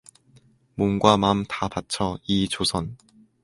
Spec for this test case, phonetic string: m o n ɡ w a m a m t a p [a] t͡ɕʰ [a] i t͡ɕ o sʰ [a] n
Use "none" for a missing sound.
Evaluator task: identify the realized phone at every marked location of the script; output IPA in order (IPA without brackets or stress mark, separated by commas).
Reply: a, ʌ, ʌ